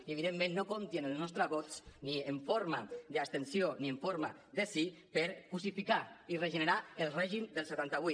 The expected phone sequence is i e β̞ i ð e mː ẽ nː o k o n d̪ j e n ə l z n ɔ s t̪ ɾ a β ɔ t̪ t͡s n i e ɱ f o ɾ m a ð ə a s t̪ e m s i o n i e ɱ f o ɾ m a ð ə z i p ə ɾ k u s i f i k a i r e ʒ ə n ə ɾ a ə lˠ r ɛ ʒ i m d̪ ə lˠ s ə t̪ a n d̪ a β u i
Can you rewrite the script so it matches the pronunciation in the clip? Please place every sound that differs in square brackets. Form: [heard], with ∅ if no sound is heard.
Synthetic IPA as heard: i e β̞ i ð e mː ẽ nː o k o n [t̪] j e n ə l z n ɔ s t̪ ɾ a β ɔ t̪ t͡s n i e ɱ f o ɾ m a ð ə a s t̪ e [n] s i o n i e ɱ f o ɾ m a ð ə [s] i p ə ɾ k u s i f i k a i r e ʒ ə n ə ɾ a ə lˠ r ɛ ʒ i m d̪ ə lˠ s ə t̪ a n [t̪] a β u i